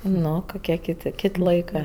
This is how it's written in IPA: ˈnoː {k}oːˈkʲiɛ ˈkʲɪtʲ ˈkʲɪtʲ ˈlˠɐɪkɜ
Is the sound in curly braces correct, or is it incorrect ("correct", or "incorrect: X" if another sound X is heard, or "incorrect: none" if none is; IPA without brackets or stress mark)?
correct